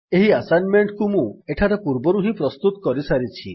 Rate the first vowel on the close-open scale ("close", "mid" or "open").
mid